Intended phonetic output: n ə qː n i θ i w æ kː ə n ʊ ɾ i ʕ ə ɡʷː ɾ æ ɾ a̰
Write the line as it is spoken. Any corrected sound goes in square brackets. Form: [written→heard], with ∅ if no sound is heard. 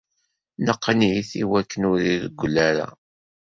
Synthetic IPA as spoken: n ə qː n i θ i w æ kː ə n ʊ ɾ i [ʕ→ð] ə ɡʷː [ɾ→l] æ ɾ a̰